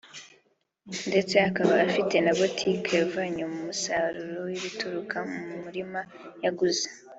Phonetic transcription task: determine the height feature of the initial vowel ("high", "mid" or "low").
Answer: mid